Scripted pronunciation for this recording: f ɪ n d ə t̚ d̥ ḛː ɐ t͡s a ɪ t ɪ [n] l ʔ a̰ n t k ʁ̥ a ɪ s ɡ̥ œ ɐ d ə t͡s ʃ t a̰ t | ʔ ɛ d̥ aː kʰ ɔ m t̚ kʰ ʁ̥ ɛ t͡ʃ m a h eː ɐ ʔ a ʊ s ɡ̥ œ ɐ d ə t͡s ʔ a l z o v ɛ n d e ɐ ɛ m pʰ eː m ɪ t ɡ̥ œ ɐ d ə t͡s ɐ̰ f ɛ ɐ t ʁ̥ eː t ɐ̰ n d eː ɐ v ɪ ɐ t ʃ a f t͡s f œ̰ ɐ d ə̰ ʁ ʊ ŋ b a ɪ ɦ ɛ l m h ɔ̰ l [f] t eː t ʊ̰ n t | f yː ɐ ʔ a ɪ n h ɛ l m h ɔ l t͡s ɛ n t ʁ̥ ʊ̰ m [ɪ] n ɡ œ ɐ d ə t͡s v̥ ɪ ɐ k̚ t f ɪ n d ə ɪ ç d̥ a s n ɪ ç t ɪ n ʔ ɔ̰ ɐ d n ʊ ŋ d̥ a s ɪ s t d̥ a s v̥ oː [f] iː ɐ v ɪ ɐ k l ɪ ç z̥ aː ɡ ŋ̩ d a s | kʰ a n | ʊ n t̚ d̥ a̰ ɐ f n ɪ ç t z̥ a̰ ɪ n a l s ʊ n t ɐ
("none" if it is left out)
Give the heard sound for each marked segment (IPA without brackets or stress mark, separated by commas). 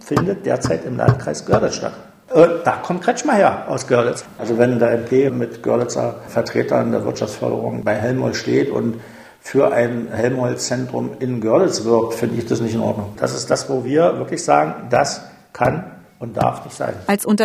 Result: m, ʃ, ɪ, v